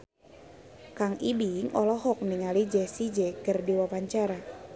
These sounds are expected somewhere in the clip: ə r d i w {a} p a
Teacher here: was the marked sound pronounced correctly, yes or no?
yes